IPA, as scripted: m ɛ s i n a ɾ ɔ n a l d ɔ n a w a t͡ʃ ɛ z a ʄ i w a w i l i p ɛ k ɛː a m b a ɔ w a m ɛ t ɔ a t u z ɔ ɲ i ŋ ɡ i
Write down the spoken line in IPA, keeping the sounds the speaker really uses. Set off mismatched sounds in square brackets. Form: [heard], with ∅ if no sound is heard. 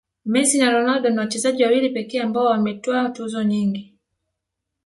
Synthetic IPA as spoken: m ɛ s i n a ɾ ɔ n a l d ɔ n a w a t͡ʃ ɛ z a ʄ i w a w i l i p ɛ k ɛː a m b a ɔ w a m ɛ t ɔ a t u z ɔ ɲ i ŋ ɡ i